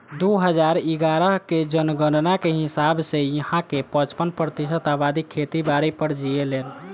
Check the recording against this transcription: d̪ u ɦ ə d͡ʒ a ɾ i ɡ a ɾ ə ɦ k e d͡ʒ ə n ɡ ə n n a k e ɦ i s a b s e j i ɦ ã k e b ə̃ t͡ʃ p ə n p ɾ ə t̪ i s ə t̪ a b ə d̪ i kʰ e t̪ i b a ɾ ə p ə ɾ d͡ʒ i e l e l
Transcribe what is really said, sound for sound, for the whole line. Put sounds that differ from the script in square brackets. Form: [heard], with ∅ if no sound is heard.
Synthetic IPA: d̪ u ɦ ə d͡ʒ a ɾ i ɡ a ɾ ə ɦ k e d͡ʒ ə n ɡ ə n n a k e ɦ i s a b s e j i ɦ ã k e [p] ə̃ t͡ʃ p ə n p ɾ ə t̪ i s ə t̪ a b [a] d̪ i kʰ e t̪ i b a ɾ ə p ə ɾ d͡ʒ i e l e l